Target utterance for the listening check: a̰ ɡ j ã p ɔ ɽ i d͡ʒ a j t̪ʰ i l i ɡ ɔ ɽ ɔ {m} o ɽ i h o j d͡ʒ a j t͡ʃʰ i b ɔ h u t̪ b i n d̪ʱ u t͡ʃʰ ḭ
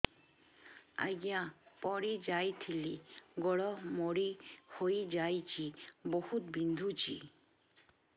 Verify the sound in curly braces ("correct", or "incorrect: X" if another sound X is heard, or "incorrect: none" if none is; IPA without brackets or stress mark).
correct